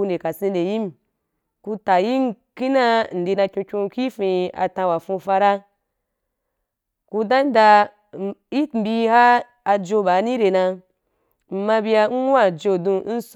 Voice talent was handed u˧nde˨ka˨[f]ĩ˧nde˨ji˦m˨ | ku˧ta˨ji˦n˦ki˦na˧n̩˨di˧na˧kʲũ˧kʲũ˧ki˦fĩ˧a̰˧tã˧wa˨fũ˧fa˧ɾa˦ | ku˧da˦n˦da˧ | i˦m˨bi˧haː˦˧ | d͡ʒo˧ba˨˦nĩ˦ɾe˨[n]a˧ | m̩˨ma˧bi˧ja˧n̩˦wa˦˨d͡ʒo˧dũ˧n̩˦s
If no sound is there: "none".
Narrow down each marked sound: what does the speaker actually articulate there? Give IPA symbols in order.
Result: s, n

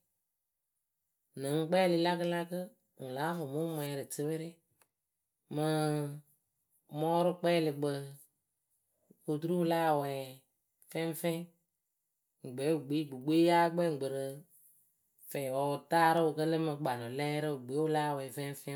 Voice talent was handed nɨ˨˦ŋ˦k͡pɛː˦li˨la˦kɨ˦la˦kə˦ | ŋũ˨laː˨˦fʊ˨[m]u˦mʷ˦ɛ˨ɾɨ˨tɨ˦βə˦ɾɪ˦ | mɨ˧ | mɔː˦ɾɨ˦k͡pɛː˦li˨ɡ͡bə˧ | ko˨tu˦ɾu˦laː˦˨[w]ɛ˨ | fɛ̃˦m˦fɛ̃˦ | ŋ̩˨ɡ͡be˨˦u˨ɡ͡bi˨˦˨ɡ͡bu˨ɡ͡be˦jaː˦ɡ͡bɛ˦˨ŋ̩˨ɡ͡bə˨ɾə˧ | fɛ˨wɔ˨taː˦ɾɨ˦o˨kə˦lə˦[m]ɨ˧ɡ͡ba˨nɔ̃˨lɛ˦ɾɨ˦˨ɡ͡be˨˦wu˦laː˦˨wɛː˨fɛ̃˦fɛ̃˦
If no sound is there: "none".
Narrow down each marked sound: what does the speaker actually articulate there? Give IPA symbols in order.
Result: m, w, m

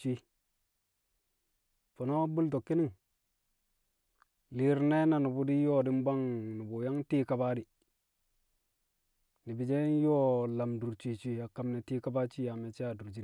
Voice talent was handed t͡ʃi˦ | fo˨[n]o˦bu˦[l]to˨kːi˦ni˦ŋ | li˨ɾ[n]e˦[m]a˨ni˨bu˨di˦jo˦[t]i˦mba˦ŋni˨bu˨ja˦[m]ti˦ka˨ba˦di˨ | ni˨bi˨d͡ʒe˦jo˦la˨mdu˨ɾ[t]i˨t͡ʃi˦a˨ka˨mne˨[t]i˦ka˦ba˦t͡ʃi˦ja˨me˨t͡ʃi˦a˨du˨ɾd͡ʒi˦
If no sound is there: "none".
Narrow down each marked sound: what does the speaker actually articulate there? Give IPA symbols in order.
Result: n, l, n, n, d, ŋ, t͡ʃ, t

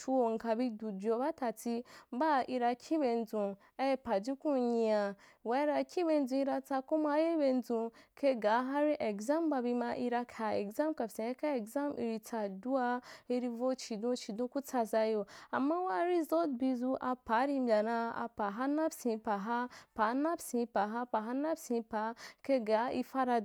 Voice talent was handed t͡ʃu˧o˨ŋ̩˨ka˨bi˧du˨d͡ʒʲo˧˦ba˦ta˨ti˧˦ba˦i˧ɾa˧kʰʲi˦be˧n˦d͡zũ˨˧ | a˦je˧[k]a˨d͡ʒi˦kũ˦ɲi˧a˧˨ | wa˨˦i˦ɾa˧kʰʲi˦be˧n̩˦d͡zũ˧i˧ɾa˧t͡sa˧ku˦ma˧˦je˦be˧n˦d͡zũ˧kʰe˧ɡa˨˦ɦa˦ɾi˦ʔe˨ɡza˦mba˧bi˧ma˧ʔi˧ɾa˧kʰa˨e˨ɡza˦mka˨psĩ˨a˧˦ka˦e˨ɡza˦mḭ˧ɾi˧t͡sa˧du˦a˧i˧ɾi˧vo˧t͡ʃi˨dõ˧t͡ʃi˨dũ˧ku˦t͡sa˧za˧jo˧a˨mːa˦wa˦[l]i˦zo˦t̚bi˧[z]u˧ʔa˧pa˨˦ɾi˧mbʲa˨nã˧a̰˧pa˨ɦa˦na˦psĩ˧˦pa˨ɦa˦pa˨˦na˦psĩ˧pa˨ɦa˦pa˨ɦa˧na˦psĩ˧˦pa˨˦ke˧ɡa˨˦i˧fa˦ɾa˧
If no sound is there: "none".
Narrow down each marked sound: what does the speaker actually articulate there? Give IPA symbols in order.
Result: p, ɾ, z

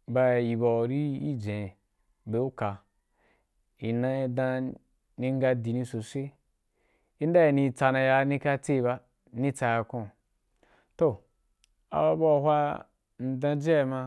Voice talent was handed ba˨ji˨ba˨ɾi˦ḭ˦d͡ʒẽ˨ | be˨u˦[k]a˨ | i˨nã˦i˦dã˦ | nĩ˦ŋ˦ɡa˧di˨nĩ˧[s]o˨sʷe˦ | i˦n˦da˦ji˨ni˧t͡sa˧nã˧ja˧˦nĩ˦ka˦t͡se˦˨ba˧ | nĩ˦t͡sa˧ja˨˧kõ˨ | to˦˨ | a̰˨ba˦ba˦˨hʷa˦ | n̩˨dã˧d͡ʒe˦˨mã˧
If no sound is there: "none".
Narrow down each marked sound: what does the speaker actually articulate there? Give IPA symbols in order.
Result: k, s

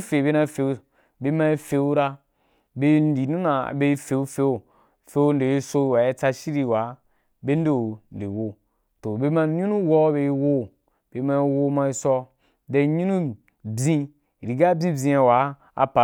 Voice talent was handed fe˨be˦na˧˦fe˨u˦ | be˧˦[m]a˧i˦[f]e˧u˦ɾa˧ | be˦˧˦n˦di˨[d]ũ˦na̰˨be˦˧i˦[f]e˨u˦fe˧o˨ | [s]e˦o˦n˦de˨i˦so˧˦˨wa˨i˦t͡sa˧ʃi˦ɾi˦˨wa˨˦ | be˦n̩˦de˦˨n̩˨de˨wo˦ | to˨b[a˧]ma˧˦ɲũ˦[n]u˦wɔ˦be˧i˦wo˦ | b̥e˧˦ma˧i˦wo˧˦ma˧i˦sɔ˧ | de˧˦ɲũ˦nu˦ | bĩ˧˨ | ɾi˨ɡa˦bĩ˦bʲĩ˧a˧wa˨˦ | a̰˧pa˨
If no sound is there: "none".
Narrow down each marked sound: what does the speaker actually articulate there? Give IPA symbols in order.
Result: m, f, n, f, f, e˧, n

